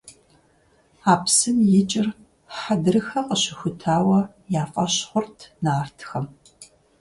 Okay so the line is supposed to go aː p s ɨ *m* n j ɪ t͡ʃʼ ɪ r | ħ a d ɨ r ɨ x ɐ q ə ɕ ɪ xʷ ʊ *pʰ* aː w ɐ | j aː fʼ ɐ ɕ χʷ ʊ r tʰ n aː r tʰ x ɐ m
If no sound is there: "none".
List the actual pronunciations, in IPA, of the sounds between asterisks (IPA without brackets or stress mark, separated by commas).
none, tʰ